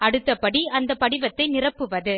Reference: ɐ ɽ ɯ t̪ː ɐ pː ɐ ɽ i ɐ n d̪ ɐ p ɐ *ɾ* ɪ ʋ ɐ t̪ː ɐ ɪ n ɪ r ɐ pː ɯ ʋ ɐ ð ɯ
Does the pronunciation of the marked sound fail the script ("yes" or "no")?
yes